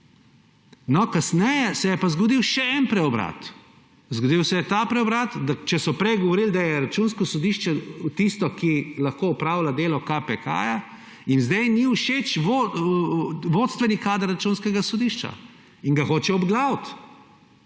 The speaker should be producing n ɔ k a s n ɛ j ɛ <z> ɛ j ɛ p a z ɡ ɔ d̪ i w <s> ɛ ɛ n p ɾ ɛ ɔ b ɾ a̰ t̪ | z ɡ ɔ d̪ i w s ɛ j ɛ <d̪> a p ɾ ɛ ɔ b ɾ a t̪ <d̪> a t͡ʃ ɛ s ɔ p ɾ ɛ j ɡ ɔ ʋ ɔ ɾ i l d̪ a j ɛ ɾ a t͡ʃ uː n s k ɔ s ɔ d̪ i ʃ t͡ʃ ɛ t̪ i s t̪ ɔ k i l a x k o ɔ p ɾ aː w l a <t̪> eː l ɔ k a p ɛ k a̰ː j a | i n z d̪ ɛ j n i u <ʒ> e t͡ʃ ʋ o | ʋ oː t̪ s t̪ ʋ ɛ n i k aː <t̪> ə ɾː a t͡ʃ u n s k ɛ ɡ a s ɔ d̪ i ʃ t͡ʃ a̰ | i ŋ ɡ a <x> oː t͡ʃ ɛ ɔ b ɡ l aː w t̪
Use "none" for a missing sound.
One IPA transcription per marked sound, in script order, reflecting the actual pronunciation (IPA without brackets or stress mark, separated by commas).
s, ʃ, t̪, d̪, d̪, ʃ, d̪, x